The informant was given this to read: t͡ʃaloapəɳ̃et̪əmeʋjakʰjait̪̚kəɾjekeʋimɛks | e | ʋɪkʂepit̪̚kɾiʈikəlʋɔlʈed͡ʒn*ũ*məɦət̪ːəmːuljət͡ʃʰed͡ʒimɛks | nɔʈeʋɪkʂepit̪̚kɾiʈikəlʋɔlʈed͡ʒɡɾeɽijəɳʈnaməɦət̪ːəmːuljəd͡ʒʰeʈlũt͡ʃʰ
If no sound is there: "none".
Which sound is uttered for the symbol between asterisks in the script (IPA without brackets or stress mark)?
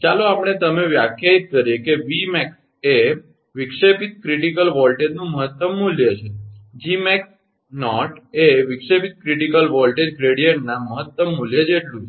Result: ũ